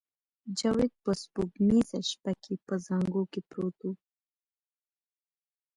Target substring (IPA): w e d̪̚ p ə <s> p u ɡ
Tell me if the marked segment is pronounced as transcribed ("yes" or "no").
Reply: yes